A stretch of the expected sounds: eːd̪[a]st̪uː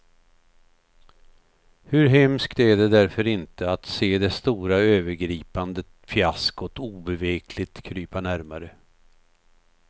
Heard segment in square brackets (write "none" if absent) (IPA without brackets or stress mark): ɛ